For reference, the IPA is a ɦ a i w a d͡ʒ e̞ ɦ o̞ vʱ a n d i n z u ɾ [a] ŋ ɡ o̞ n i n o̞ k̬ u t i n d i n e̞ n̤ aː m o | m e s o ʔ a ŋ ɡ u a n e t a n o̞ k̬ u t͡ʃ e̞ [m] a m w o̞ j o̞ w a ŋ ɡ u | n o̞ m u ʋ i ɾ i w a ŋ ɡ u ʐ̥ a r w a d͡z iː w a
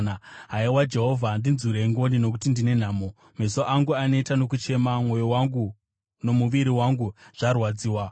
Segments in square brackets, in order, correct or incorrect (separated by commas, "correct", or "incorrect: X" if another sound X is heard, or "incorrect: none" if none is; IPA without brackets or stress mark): incorrect: e, correct